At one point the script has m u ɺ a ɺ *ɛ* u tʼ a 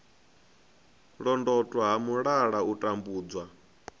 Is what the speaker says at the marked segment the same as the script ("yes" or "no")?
no